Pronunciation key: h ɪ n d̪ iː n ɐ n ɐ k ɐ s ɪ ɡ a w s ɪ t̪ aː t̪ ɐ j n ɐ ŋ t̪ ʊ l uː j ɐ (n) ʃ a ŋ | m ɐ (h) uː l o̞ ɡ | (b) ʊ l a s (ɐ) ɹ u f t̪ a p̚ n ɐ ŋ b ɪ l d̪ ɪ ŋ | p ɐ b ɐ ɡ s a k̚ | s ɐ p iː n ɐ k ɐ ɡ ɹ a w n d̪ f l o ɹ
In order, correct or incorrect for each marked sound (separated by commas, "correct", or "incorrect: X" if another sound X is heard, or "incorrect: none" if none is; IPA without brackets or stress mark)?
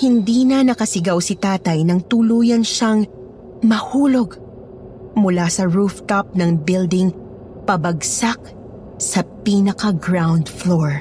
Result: correct, correct, incorrect: m, correct